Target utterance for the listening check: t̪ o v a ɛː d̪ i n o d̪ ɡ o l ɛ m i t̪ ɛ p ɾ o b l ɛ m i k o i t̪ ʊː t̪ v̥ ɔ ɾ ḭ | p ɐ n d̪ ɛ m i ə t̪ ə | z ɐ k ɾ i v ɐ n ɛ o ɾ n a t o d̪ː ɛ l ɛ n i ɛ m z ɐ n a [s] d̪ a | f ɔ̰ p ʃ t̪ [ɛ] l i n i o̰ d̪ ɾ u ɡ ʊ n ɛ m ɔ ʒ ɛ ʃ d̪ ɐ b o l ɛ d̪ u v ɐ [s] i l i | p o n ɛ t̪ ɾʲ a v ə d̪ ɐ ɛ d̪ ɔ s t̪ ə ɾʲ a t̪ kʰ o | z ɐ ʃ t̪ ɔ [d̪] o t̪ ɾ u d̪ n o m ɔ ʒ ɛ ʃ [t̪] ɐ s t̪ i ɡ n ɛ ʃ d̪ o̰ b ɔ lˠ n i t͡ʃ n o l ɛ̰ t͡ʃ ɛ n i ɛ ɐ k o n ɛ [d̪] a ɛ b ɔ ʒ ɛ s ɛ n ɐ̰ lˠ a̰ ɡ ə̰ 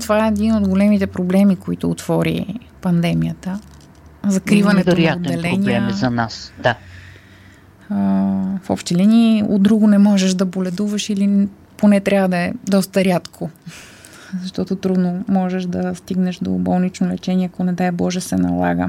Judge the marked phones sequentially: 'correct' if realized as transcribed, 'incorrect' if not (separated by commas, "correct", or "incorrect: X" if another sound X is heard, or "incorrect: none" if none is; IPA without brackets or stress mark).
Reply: correct, correct, incorrect: ʃ, incorrect: t̪, incorrect: d̪, correct